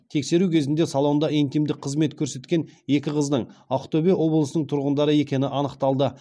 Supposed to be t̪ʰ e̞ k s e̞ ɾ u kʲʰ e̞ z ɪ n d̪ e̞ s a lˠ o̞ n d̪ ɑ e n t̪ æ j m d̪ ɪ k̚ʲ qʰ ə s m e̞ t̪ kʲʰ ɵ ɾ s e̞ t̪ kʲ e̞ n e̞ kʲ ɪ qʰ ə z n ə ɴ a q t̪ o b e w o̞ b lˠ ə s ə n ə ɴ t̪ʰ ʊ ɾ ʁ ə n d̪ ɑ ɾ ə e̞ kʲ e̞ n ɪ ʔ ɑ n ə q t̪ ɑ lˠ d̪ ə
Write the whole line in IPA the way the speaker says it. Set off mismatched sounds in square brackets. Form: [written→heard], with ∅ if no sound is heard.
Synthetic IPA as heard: t̪ʰ e̞ k s e̞ ɾ u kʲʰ e̞ z ɪ n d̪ e̞ s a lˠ o̞ n d̪ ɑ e n t̪ [æ→i] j m d̪ ɪ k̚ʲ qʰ ə [s→z] m e̞ t̪ kʲʰ ɵ ɾ s e̞ t̪ kʲ e̞ n e̞ kʲ ɪ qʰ ə z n ə ɴ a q t̪ o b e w o̞ b lˠ ə s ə n ə ɴ t̪ʰ ʊ ɾ ʁ ə n d̪ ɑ ɾ ə e̞ kʲ e̞ n ɪ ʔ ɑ n ə q t̪ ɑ lˠ d̪ ə